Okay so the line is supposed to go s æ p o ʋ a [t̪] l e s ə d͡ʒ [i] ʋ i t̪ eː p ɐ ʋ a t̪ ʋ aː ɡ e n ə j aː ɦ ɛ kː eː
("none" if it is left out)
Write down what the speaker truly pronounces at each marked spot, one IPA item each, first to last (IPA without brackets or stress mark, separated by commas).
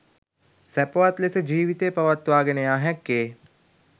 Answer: t̪, iː